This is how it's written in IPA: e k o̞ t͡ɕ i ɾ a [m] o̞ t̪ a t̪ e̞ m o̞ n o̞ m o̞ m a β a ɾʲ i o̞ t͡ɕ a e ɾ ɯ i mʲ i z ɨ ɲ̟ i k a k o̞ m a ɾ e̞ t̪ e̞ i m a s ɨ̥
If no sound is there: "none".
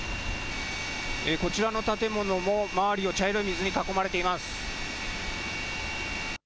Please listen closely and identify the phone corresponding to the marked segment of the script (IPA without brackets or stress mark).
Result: n